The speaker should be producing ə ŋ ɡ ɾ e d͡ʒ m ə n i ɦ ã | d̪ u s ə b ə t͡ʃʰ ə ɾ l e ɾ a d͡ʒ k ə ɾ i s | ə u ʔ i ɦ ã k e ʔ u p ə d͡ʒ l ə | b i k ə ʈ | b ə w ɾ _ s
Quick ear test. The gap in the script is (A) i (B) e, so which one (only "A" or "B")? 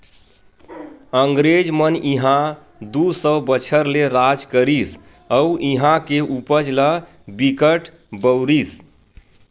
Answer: A